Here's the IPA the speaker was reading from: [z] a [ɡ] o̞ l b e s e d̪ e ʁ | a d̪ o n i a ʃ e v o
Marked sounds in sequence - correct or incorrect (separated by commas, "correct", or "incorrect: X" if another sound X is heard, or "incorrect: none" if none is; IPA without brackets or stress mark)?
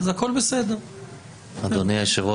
correct, incorrect: k